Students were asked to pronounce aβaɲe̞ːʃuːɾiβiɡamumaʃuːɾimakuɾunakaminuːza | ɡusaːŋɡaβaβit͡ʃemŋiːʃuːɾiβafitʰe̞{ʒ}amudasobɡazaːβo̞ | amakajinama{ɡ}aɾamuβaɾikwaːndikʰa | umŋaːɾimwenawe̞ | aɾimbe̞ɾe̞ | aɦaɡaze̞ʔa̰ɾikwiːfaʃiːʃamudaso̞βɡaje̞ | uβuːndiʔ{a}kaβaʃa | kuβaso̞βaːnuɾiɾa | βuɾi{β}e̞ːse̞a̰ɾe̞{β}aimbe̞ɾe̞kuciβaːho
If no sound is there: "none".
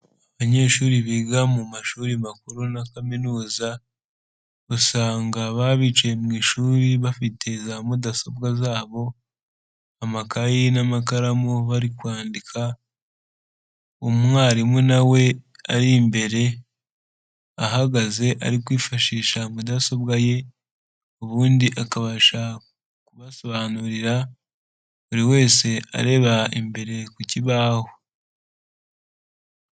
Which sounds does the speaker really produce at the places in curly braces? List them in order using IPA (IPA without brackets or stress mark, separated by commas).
z, k, a, w, β